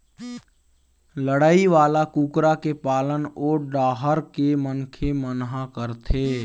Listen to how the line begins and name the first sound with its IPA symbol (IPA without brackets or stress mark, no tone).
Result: l